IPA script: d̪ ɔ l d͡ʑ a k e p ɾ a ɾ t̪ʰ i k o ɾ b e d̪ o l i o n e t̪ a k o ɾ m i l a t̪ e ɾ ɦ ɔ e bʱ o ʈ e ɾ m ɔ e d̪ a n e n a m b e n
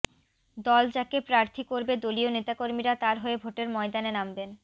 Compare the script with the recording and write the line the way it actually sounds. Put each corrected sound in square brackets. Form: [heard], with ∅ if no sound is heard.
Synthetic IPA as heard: d̪ ɔ l d͡ʑ a k e p ɾ a ɾ t̪ʰ i k o ɾ b e d̪ o l i o n e t̪ a k o ɾ m i [ɾ] a t̪ [a] ɾ ɦ [o] e bʱ o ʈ e ɾ m ɔ e d̪ a n e n a m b e n

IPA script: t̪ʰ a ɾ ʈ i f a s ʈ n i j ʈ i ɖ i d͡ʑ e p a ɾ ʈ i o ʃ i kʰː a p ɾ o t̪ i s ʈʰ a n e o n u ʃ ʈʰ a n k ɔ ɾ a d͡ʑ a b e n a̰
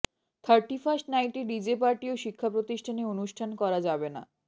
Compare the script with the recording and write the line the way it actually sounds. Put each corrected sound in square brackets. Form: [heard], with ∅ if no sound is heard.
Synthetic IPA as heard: t̪ʰ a ɾ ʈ i f a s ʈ n [a] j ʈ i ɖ i d͡ʑ e p a ɾ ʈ i o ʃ i kʰː a p ɾ o t̪ i [ʃ] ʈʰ a n e o n u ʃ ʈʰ a n k ɔ ɾ a d͡ʑ a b e n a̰

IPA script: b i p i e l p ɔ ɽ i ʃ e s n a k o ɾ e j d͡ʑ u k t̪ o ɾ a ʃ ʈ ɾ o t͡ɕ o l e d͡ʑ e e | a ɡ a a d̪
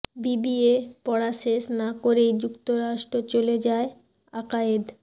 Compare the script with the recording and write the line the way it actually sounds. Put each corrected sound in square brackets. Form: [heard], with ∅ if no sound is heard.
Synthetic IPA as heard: b i [b] i e [∅] p ɔ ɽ [a] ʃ e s n a k o ɾ e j d͡ʑ u k t̪ o ɾ a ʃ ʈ ɾ o t͡ɕ o l e d͡ʑ [a] e | a [k] a [e] d̪

